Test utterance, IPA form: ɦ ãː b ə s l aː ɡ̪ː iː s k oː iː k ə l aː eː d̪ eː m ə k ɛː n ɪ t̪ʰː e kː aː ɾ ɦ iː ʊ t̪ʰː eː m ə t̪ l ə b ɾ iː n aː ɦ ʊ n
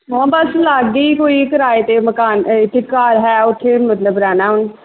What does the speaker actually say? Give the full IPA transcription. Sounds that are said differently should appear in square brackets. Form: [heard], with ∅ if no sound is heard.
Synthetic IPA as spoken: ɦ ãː b ə s l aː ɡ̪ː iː [∅] k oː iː k ə [ɾ] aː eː [t̪] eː m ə k [aː] n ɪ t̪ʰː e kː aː ɾ ɦ [ɛː] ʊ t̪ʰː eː m ə t̪ l ə b ɾ [ɛː] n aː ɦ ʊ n